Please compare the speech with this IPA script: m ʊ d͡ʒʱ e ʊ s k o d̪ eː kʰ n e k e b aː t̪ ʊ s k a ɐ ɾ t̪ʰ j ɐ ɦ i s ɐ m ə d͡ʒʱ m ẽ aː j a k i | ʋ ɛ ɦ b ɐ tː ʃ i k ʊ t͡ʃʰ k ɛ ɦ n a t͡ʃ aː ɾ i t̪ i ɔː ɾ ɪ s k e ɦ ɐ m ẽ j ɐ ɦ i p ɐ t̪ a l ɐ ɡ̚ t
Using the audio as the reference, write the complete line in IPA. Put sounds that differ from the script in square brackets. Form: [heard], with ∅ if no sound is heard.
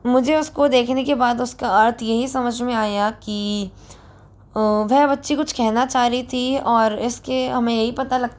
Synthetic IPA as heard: m ʊ d͡ʒʱ e ʊ s k o d̪ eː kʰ n e k e b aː [d̪] ʊ s k a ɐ ɾ t̪ʰ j ɐ ɦ i s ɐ m ə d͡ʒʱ m ẽ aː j a k i | ʋ ɛ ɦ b ɐ tː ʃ i k ʊ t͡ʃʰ k ɛ ɦ n a t͡ʃ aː ɾ i [t̪ʰ] i ɔː ɾ ɪ s k e ɦ ɐ m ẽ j ɐ ɦ i p ɐ t̪ a l ɐ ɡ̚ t